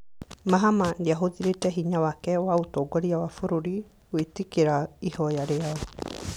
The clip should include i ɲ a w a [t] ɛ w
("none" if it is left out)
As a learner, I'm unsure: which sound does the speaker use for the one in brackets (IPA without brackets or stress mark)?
k